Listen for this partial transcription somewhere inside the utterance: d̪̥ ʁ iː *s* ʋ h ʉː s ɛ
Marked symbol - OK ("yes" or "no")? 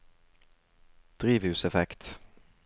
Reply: no